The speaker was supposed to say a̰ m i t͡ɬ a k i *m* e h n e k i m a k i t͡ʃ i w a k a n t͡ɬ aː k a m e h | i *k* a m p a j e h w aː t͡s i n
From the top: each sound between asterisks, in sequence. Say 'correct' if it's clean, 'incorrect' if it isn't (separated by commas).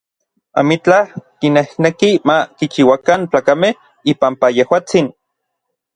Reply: incorrect, incorrect